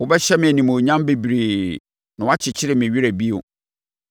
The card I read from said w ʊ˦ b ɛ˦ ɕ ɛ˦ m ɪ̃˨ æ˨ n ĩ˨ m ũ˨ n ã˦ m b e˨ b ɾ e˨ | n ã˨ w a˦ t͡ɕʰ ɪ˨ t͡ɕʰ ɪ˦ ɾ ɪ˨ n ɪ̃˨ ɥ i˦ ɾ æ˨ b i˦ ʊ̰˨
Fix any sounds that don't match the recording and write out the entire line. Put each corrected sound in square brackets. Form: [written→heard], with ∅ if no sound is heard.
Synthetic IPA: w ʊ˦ b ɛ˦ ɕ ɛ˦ m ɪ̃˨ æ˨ n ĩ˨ m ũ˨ [n→ɲ] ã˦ m b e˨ b ɾ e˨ | n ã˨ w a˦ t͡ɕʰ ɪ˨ t͡ɕʰ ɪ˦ ɾ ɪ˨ [n→m] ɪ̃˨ ɥ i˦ ɾ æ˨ b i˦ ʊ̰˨

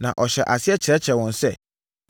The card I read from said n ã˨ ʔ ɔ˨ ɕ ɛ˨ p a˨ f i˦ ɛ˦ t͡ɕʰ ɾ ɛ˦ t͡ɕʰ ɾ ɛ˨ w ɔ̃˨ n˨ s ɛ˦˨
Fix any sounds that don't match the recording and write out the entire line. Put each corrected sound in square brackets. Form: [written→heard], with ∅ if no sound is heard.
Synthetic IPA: n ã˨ ʔ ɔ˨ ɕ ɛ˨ [p→ʔ] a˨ [f→s] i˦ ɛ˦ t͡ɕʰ ɾ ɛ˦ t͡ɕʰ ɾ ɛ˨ w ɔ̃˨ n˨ s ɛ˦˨

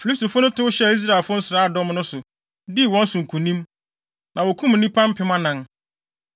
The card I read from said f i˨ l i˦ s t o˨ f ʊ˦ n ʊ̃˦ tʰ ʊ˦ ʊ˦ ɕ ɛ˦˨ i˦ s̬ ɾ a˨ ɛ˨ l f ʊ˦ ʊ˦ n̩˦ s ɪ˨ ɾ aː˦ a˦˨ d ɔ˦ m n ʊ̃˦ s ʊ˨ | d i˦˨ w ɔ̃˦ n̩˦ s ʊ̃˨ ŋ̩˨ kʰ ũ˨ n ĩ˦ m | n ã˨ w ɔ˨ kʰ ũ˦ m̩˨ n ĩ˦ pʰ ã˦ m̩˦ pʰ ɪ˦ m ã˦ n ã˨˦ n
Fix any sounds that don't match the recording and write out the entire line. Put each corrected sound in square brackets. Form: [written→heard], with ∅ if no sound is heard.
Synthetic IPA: f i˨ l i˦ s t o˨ f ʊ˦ n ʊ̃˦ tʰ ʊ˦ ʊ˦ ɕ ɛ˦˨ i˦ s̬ ɾ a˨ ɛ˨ l f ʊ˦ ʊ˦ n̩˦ s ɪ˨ ɾ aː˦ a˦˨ d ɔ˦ m n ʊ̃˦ s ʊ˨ | d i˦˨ w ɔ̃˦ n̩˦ s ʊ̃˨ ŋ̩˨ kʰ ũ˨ n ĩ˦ m | n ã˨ w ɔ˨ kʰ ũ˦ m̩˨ n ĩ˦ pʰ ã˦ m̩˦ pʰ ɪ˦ m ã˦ n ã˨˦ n

